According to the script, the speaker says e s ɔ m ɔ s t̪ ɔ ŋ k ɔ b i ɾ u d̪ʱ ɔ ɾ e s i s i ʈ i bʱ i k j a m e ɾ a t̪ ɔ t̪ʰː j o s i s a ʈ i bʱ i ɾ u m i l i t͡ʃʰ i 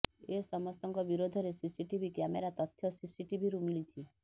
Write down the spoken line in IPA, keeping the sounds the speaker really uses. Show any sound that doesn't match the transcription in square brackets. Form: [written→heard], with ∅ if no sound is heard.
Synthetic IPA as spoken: e s ɔ m ɔ s t̪ ɔ ŋ k ɔ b i ɾ [u→o] d̪ʱ ɔ ɾ e s i s i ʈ i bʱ i k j a m e ɾ a t̪ ɔ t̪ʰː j [o→ɔ] s i s [a→i] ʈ i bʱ i ɾ u m i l i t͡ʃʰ i